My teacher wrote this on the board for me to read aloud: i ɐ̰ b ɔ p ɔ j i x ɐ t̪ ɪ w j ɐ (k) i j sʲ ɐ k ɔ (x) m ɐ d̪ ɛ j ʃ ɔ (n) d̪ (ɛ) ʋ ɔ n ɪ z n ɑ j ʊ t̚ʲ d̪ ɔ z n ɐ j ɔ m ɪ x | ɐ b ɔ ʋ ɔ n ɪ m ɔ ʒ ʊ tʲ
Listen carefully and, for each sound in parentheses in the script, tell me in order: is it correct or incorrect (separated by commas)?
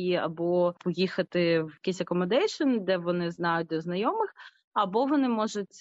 correct, incorrect, correct, correct